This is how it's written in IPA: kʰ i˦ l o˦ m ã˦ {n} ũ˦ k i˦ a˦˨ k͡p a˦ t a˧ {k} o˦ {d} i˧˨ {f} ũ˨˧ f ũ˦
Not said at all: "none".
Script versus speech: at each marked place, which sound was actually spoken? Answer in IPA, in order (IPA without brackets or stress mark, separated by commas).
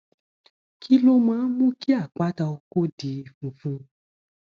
m, k, d, f